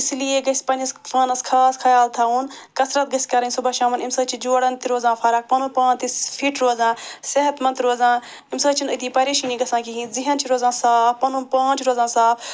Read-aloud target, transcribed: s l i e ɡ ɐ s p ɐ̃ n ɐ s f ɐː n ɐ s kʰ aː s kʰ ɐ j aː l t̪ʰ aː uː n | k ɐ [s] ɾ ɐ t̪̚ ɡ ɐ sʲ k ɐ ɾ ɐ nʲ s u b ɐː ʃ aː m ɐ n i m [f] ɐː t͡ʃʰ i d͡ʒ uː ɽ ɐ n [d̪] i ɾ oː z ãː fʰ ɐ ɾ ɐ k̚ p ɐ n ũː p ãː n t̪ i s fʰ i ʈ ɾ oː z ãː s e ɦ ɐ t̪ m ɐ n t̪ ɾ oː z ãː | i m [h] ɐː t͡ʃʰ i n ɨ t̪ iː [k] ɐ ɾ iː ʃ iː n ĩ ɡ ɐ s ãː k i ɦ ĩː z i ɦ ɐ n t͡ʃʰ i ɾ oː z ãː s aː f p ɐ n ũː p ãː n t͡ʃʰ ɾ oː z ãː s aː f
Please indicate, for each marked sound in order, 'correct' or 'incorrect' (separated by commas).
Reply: correct, incorrect, incorrect, incorrect, incorrect